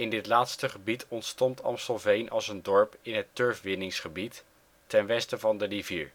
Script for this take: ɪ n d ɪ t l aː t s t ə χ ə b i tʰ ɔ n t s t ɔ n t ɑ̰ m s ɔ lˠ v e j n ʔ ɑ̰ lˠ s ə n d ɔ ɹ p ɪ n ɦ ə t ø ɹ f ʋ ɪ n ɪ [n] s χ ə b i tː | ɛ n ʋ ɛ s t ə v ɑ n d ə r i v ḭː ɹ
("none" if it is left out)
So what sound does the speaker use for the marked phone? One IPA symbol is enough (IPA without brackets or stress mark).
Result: ŋ